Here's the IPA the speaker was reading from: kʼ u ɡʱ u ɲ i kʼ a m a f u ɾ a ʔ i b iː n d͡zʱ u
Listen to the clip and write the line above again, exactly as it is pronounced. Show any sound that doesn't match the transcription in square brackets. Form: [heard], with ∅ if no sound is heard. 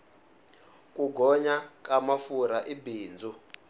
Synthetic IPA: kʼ u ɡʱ [ɔ] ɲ [a] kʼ a m a f u ɾ a ʔ i b iː n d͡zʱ u